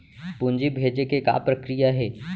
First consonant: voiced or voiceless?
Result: voiceless